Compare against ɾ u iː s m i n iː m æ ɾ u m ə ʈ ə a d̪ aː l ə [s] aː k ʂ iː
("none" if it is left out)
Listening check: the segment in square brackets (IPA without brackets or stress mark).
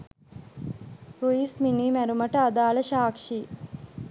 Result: ʃ